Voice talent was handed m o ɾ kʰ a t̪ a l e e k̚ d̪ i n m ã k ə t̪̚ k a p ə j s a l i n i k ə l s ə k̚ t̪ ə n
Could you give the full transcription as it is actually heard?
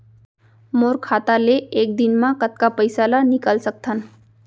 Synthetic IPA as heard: m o ɾ kʰ a t̪ a l e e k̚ d̪ i n m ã k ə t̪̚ k a p ə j s a l a n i k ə l s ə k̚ t̪ʰ ə n

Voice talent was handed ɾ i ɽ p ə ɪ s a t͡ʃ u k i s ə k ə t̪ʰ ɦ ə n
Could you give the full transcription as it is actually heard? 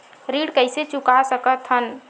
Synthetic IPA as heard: ɾ i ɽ k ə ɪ s e t͡ʃ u k a s ə k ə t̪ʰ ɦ ə n

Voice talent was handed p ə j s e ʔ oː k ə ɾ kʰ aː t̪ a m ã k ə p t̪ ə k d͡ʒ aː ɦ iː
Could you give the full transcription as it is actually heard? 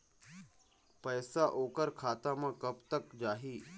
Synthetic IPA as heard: p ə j s a ʔ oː k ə ɾ kʰ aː t̪ a m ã k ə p t̪ ə k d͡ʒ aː ɦ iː

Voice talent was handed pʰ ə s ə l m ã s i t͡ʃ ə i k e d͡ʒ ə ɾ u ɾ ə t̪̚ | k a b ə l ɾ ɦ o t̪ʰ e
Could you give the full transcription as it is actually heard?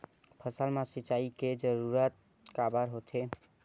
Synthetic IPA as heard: pʰ ə s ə l m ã s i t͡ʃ a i k e d͡ʒ ə ɾ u ɾ ə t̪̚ | k a b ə ɾ ɦ o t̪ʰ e

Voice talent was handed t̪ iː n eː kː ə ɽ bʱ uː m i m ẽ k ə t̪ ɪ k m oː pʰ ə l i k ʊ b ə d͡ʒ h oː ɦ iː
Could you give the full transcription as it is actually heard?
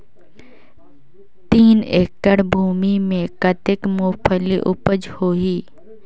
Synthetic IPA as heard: t̪ iː n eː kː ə ɽ bʱ uː m i m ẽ k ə t̪ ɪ k m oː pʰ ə l i ʔ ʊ p ə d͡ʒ h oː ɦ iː

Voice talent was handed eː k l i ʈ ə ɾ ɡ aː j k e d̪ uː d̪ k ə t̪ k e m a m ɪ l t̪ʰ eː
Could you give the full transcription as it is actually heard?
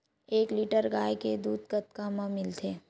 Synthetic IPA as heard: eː k l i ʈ ə ɾ ɡ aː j k e d̪ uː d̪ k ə t̪ k a m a m ɪ l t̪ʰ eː

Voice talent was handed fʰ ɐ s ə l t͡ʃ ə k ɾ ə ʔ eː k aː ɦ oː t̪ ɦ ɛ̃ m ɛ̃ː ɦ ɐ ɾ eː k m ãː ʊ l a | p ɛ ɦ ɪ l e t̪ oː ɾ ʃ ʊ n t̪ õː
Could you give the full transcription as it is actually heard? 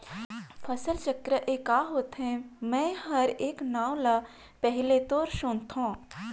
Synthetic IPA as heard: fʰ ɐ s ə l t͡ʃ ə k ɾ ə ʔ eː k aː ɦ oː t̪ ɦ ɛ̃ m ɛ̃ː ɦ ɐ ɾ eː k n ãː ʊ l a | p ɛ ɦ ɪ l e t̪ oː ɾ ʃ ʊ n t̪ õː

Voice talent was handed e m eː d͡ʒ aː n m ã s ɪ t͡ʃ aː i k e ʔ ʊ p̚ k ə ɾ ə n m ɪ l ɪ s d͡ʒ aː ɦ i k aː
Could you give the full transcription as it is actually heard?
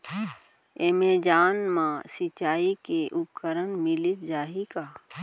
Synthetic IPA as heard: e m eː d͡ʒ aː n m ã s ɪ t͡ʃ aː i k e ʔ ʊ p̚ k ə ɾ ə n m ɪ l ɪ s d͡ʒ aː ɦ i k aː

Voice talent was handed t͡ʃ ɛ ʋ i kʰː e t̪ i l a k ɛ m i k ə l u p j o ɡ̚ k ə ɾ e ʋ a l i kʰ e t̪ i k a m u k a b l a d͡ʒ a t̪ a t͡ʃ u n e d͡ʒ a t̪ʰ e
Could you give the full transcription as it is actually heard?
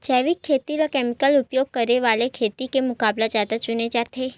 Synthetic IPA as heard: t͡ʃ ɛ ʋ i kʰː e t̪ i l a k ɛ m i k ə l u p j o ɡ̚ k ə ɾ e ʋ a l e kʰ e t̪ i k e m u k a b l a d͡ʒ a t̪ a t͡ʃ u n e d͡ʒ a t̪ʰ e

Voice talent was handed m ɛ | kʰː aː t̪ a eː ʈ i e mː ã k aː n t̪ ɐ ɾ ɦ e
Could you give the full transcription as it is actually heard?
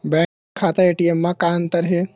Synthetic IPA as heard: b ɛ | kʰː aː t̪ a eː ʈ i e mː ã k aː n t̪ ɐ ɾ ɦ e

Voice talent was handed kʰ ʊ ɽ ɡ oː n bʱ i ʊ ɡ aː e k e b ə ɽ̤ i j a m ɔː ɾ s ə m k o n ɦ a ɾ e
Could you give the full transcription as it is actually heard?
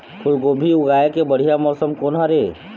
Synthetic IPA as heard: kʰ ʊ l ɡ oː bʱ i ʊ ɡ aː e k e b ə ɽ̤ i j a m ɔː s ə m k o n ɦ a ɾ e

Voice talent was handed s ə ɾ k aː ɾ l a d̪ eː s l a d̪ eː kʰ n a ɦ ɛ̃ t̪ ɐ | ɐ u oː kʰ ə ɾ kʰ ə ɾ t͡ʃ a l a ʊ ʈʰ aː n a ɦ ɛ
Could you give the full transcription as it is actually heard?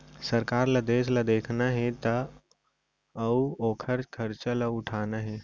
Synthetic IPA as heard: s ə ɾ k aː ɾ l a d̪ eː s l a d̪ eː kʰ n a ɦ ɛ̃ t̪ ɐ | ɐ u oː kʰ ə ɾ kʰ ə ɾ t͡ʃ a l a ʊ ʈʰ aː n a ɦ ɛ

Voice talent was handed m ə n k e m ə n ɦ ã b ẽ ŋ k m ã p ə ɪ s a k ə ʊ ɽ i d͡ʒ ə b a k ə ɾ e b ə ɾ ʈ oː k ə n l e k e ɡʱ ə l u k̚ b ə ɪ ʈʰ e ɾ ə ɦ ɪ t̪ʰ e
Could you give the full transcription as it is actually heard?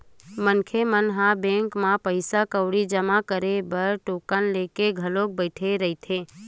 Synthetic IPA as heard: m ə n kʰ e m ə n ɦ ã b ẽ ŋ k m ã p ə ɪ s a k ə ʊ ɽ i d͡ʒ ə m a k ə ɾ e b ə ɾ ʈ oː k ə n l e k e ɡʱ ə l o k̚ b ə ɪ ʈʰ e ɾ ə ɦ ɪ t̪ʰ e

